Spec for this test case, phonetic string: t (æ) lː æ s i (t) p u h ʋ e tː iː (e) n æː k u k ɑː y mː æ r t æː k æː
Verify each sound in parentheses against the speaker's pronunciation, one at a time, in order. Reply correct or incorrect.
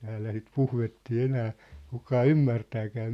incorrect: æː, correct, correct

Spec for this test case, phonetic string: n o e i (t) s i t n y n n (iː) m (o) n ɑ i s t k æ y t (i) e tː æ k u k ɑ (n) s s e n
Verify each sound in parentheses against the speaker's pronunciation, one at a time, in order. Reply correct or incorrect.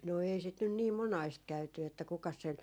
incorrect: none, correct, correct, incorrect: y, incorrect: none

